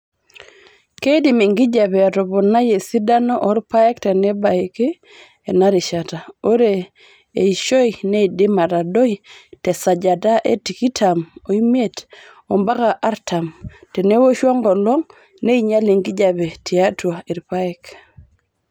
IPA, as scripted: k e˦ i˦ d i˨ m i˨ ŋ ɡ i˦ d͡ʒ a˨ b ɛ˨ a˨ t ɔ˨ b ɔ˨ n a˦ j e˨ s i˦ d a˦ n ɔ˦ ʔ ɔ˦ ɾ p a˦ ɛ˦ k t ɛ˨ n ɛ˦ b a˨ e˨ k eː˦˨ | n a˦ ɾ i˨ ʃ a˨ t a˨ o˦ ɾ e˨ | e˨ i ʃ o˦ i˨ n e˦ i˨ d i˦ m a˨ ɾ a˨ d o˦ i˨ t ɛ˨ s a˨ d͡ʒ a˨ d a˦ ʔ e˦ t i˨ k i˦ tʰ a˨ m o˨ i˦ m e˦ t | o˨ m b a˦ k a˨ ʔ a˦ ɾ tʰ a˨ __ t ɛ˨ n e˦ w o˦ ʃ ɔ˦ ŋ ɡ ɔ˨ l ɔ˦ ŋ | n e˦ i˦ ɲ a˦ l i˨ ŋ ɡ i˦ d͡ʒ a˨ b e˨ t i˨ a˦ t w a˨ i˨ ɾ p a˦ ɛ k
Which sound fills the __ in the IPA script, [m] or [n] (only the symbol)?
m